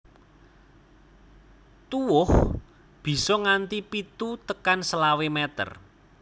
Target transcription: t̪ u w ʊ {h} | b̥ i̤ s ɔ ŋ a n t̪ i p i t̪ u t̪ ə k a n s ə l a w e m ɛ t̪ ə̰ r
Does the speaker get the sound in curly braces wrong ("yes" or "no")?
no